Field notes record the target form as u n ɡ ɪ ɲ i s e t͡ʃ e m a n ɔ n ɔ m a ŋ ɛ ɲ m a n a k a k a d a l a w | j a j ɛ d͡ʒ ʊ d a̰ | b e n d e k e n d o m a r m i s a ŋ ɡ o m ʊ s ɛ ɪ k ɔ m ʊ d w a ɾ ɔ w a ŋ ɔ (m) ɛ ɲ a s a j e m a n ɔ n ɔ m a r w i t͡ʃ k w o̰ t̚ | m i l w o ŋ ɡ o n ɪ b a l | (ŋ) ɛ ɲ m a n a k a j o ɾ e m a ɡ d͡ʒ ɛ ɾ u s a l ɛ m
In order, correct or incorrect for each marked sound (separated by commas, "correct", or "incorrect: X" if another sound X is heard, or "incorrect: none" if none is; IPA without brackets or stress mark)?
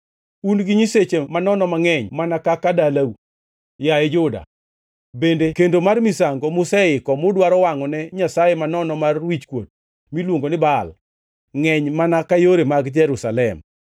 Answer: incorrect: n, correct